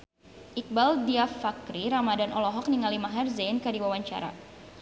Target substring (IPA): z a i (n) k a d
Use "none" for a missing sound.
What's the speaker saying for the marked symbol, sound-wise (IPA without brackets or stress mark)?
n